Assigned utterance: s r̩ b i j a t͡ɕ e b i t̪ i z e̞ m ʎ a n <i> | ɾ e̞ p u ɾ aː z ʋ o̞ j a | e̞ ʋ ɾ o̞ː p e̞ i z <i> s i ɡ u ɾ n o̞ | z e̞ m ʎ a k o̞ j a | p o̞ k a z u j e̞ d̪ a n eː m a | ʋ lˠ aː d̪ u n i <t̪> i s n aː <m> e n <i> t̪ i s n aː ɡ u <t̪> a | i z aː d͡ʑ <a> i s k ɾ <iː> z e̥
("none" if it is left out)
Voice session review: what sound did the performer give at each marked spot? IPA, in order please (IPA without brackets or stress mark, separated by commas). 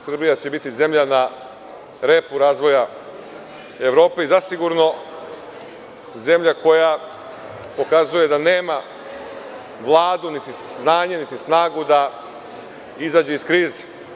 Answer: a, a, t̪, ɲ, i, d̪, e, iː